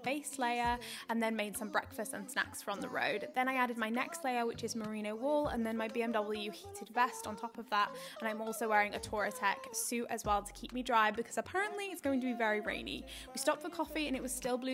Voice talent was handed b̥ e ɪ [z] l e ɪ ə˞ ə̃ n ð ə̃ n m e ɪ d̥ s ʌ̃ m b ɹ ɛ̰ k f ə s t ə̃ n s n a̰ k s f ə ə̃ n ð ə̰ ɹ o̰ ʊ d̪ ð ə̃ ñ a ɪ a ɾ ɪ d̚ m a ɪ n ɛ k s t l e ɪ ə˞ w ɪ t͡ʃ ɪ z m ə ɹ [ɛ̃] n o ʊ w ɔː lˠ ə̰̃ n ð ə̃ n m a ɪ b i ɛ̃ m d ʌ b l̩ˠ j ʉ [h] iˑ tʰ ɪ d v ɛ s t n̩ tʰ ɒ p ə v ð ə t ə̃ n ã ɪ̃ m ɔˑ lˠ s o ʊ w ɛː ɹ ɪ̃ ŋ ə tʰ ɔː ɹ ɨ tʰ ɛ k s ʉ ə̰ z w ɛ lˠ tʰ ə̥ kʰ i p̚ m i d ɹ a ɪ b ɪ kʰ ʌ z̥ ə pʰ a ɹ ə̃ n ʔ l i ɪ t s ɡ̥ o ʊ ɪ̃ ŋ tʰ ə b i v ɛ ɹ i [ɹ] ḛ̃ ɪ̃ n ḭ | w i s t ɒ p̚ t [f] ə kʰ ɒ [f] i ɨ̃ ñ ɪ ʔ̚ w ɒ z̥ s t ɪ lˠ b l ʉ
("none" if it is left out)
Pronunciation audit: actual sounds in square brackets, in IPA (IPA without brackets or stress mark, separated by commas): s, ĩ, h, ɹ, f, f